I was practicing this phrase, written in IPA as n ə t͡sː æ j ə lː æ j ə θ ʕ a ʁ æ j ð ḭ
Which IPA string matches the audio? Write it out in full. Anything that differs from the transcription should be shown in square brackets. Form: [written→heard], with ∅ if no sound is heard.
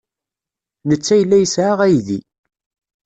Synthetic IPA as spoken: n ə t͡sː æ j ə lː æ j ə [θ→s] ʕ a ʁ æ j ð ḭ